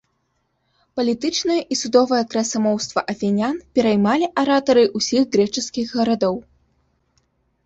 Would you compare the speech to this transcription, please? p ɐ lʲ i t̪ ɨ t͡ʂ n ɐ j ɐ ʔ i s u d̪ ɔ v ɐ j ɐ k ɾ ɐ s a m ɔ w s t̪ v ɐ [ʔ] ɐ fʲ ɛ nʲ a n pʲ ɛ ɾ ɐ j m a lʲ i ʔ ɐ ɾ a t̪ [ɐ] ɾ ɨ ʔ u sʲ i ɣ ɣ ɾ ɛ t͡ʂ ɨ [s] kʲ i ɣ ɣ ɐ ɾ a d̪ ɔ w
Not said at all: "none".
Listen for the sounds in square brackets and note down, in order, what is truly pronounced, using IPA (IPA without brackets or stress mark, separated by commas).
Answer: ʔ, ɐ, s